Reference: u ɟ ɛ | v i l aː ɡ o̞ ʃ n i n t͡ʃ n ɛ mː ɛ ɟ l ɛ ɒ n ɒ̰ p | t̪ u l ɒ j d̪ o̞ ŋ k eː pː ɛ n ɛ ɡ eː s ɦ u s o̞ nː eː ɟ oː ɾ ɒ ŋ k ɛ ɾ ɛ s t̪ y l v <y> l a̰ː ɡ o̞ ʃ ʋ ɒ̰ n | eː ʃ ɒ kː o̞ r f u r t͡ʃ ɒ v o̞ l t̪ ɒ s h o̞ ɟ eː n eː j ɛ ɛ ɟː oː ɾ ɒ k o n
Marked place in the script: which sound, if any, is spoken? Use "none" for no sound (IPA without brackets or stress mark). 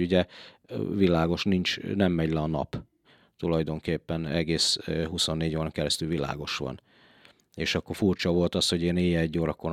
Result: i